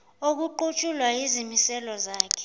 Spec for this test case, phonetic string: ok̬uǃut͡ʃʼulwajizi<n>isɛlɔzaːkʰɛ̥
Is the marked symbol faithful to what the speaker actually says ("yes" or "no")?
no